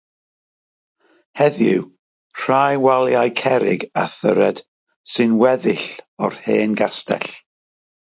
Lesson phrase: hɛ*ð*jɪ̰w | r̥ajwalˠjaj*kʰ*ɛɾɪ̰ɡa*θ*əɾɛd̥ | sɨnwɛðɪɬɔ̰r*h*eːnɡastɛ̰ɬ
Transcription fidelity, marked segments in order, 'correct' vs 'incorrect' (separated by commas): correct, correct, correct, correct